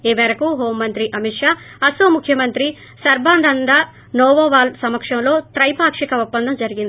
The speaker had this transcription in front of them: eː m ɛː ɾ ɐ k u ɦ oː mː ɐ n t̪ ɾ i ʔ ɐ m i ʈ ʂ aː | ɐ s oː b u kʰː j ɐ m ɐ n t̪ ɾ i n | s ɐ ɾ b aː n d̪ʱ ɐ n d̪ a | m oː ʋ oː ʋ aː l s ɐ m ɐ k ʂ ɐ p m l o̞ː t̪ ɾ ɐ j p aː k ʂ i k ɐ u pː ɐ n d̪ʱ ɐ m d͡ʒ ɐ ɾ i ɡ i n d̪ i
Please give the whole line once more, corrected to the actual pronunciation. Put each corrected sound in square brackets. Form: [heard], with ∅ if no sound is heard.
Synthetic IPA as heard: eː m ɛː ɾ ɐ k u ɦ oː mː ɐ n t̪ ɾ i ʔ ɐ m i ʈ ʂ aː | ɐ s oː [m] u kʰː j ɐ m ɐ n t̪ ɾ i [∅] | s ɐ ɾ b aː n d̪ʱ ɐ n d̪ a | [n] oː ʋ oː ʋ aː l s ɐ m ɐ k ʂ ɐ [∅] m l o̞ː t̪ ɾ ɐ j p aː k ʂ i k ɐ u pː ɐ n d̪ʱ ɐ m d͡ʒ ɐ ɾ i ɡ i n d̪ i